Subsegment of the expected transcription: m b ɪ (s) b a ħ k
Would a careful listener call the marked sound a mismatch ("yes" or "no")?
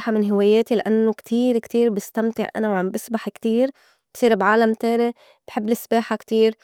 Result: no